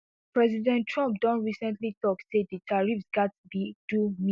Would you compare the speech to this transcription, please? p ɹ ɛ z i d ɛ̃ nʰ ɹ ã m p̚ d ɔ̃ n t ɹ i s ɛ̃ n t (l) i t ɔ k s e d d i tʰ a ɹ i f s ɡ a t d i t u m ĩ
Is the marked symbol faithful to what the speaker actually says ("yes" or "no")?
yes